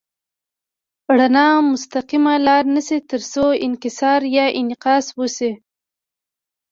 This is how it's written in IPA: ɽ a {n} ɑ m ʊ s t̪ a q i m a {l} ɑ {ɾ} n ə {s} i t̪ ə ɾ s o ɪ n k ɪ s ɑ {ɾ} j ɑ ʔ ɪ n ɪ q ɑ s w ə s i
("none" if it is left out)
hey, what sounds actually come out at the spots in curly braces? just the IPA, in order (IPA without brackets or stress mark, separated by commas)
n, l, ɾ, s, ɾ